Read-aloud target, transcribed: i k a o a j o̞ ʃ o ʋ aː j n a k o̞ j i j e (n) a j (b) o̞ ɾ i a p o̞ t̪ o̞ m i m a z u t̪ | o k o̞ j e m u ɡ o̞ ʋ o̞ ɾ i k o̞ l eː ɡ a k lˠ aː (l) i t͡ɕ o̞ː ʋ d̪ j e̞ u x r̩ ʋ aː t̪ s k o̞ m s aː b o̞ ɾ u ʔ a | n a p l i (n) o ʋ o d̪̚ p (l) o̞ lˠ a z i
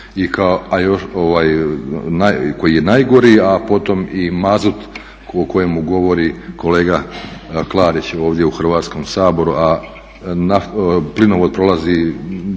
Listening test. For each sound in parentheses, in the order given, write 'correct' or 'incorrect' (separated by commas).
correct, incorrect, incorrect, correct, incorrect